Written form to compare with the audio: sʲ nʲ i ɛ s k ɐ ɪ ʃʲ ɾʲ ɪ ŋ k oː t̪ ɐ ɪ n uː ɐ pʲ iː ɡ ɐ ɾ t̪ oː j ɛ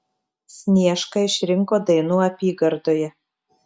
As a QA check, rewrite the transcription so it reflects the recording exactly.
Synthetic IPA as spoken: sʲ nʲ i ɛ ʃ k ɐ ɪ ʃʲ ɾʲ ɪ ŋ k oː d̪ ɐ ɪ n uː ɐ pʲ iː ɡ ɐ ɾ d̪ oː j ɛ